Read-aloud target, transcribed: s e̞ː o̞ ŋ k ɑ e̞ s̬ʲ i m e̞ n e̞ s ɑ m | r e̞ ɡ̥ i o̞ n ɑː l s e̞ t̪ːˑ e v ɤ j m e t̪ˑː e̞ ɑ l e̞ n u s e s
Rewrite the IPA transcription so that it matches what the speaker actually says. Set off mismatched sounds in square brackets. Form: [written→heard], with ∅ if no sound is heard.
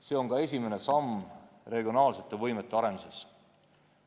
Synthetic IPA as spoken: s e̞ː o̞ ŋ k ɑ e̞ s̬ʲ i m e̞ n e̞ s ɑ m | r e̞ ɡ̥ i o̞ n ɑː l s e̞ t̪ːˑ e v ɤ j m e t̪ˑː e̞ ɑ [l→ɾ] e̞ n u s e s